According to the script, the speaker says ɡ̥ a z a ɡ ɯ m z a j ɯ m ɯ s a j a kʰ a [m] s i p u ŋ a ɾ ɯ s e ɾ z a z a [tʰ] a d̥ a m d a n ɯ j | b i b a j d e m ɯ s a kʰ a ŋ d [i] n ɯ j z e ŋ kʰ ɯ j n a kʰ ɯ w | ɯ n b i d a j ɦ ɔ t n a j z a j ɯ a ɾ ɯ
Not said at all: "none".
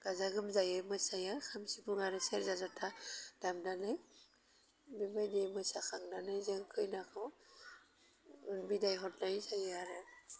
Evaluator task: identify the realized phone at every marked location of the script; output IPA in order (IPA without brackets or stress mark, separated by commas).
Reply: m, tʰ, a